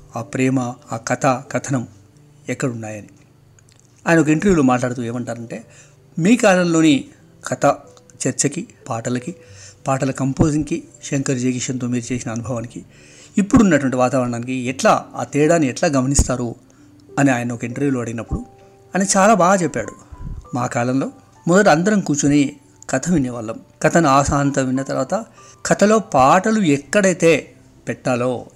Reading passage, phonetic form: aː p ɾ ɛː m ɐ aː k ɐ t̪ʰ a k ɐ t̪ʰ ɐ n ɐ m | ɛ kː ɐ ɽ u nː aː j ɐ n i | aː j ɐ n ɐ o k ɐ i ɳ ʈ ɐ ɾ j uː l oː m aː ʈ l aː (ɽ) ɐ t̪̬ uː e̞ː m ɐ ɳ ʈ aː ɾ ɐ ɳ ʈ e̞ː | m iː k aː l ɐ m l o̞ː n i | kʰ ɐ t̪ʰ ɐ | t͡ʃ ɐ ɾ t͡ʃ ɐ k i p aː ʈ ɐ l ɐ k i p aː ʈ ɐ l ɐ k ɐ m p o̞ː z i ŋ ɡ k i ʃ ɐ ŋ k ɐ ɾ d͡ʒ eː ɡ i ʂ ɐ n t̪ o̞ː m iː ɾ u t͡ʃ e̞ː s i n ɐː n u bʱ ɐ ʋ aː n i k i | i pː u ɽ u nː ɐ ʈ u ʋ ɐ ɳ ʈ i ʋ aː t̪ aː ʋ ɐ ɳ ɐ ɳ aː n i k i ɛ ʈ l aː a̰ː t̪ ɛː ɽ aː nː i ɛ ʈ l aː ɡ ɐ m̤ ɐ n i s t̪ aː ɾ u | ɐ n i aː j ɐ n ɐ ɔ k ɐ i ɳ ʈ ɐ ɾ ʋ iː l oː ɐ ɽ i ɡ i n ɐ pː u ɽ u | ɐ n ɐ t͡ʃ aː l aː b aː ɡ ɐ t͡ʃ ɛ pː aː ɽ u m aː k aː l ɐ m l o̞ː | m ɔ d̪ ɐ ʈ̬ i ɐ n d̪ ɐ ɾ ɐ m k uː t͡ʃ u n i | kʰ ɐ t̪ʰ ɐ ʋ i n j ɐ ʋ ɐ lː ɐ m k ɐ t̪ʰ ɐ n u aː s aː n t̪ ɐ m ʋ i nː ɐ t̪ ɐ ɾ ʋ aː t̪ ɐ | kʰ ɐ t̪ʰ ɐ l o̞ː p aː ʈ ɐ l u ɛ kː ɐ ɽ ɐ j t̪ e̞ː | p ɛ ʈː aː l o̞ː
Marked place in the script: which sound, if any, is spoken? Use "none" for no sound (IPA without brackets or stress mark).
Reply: ɽ